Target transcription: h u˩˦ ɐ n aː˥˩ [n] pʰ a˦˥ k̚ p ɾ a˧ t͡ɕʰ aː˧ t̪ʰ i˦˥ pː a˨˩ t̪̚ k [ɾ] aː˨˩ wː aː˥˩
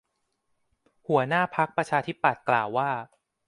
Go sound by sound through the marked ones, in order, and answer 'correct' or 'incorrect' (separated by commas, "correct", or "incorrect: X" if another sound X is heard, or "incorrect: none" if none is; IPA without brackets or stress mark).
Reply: incorrect: none, incorrect: l